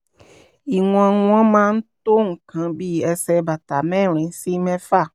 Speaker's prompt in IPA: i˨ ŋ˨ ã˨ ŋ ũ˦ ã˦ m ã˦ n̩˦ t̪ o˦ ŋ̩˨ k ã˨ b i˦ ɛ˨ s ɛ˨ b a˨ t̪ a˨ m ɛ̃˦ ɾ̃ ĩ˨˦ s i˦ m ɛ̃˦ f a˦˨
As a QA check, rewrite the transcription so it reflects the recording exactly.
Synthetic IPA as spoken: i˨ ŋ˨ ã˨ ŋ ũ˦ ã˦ m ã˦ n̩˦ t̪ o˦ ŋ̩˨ k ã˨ b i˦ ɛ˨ s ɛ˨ b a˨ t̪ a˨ m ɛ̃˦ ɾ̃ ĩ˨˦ s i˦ m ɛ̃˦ f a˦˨

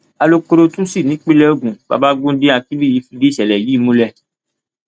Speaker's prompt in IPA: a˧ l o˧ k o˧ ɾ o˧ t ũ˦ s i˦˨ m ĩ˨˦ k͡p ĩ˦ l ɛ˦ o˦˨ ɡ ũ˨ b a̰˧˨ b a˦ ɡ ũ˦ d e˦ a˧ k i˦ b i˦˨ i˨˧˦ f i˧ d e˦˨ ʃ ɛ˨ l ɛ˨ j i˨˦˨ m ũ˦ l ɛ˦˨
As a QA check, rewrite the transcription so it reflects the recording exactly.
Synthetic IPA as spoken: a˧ l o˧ k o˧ ɾ o˧ t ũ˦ s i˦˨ n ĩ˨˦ k͡p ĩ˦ l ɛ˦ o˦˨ ɡ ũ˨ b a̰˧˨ b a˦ ɡ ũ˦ d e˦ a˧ k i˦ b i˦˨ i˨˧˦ f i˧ d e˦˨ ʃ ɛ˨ l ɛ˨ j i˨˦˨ m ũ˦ l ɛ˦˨

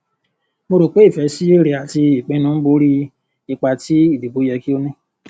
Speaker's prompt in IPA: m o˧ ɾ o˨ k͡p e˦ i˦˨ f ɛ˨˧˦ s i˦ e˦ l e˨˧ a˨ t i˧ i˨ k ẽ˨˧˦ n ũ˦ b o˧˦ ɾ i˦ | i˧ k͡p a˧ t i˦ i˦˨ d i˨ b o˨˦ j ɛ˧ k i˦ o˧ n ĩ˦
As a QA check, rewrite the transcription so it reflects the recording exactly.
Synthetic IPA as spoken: m o˧ ɾ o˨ k͡p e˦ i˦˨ f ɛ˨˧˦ s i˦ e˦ ɾ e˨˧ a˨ t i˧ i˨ k͡p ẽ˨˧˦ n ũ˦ b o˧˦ ɾ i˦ | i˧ k͡p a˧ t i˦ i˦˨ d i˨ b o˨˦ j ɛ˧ k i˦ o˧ n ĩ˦

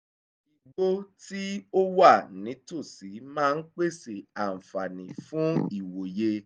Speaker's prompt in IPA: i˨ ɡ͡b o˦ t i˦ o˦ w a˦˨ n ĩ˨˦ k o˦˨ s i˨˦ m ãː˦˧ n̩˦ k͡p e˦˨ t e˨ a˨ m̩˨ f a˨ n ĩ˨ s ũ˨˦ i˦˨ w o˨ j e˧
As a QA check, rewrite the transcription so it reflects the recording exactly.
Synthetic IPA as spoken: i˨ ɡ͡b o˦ t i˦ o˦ w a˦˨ n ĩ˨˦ t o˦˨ s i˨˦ m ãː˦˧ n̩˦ k͡p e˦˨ s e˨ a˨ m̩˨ f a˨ n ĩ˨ f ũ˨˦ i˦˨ w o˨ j e˧

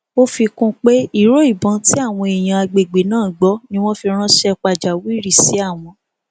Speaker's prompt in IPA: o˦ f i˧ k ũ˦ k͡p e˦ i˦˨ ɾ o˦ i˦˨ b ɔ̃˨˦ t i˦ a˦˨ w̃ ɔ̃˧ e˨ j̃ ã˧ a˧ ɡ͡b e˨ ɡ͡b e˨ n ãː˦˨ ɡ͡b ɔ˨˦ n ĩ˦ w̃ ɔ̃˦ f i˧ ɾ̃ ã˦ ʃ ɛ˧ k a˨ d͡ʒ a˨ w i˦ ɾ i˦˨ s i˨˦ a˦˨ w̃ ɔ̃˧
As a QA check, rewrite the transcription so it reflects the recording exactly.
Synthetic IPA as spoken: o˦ f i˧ k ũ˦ k͡p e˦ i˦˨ ɾ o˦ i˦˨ b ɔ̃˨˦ t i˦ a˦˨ w̃ ɔ̃˧ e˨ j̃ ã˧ a˧ ɡ͡b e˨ ɡ͡b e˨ n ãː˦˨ ɡ͡b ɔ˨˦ n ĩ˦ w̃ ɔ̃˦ f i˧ ɾ̃ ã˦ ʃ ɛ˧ k͡p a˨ d͡ʒ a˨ w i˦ ɾ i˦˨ s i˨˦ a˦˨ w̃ ɔ̃˧

